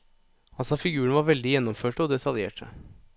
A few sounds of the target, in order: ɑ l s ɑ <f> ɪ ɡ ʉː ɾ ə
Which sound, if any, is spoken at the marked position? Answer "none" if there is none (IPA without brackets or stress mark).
f